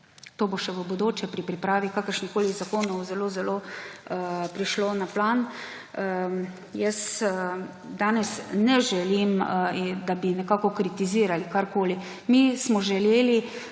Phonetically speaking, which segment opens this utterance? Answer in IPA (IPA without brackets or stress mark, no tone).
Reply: t̪